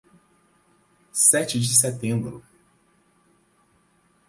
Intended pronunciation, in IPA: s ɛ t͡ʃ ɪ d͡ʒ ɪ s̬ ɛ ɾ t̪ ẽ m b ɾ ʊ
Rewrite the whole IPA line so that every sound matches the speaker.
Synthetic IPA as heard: s ɛ t͡ʃ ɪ d͡ʒ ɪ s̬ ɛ t̪ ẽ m b ɾ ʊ